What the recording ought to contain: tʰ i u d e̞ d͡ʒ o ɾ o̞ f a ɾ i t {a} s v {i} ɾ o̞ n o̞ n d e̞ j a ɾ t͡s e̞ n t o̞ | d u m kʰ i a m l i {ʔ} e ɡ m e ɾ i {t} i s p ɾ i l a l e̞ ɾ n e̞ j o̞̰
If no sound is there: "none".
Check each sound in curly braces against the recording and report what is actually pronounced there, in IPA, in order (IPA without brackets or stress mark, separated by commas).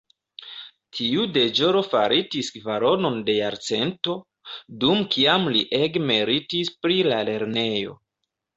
i, a, ʔ, t